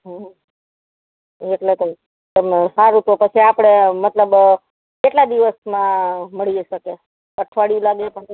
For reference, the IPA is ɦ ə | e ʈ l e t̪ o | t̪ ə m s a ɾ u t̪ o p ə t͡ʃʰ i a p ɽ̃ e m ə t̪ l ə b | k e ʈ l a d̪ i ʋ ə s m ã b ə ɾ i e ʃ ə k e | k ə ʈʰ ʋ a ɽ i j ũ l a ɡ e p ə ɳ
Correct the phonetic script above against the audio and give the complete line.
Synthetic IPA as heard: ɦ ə | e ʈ l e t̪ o | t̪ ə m s a ɾ u t̪ o p ə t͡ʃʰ i a p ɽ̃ e m ə t̪ l ə b | k e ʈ l a d̪ i ʋ ə s m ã m ə ɭ i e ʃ ə k e | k ə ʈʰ ʋ a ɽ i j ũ l a ɡ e p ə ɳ